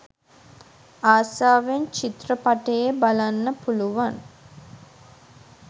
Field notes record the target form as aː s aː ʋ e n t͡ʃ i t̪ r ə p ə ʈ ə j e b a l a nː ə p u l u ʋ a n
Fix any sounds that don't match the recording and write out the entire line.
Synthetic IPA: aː s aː ʋ e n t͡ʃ i t̪ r ə p a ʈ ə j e b a l a nː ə p u l u ʋ a n